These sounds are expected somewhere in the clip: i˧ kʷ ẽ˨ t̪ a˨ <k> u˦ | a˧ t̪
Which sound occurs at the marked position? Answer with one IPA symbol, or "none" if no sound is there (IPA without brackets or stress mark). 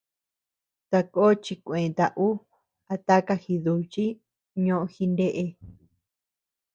ʔ